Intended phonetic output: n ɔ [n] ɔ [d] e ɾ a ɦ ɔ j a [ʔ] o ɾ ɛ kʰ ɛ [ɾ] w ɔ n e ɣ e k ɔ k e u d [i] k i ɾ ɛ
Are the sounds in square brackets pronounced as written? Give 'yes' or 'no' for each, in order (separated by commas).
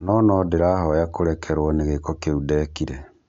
yes, yes, no, yes, no